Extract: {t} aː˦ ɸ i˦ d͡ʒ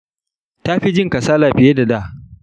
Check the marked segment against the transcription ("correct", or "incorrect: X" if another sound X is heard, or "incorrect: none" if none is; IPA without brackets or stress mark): correct